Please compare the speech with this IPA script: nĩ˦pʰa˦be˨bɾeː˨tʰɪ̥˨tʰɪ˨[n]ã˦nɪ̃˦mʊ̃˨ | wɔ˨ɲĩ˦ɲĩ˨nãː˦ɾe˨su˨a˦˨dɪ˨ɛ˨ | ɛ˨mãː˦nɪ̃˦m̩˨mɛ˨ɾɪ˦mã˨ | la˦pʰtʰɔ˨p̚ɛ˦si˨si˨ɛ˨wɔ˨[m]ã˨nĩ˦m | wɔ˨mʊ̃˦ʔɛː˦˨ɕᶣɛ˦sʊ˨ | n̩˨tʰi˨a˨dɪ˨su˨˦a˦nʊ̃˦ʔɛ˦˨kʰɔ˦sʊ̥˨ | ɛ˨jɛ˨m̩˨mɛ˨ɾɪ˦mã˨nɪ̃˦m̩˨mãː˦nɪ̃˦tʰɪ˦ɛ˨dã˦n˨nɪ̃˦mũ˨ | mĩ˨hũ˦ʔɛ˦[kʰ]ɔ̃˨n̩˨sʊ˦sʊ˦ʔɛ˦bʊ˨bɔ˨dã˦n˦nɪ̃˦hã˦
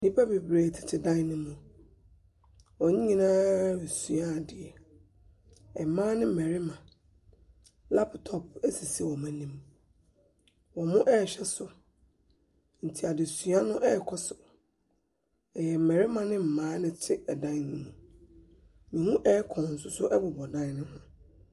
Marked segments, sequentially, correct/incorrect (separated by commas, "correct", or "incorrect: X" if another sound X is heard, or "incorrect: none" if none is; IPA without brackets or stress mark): incorrect: d, correct, correct